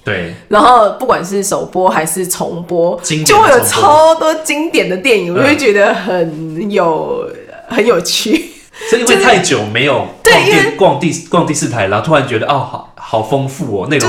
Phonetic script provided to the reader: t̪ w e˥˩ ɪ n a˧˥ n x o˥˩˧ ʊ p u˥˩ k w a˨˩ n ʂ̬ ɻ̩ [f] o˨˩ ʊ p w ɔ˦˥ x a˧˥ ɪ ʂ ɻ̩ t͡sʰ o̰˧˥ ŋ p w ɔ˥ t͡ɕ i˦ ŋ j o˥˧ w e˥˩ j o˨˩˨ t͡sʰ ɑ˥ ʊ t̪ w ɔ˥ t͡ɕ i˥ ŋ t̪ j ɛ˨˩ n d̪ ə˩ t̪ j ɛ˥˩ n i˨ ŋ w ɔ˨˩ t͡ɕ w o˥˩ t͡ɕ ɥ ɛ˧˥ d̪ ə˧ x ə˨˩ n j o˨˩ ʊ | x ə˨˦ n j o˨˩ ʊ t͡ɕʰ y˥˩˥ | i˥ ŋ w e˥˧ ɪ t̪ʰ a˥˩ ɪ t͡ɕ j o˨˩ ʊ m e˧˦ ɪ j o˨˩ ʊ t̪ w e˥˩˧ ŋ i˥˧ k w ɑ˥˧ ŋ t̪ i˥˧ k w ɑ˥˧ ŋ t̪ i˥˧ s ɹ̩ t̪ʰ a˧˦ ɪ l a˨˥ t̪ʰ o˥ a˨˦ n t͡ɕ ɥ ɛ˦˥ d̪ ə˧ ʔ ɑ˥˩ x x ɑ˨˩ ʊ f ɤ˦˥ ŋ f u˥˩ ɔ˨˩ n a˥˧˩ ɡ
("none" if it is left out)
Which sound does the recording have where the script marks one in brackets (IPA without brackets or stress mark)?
ʂ